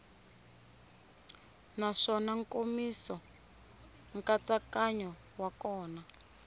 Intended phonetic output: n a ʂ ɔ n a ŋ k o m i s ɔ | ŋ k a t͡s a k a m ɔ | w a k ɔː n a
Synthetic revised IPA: n a ʂ ɔ n a ŋ k o m i s ɔ | ŋ k a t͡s a k a ɲ ɔ | w a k ɔː n a